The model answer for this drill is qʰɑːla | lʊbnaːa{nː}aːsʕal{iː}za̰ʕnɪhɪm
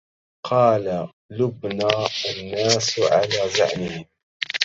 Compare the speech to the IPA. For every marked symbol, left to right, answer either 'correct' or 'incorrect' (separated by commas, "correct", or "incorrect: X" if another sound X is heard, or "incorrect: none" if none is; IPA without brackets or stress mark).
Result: correct, incorrect: aː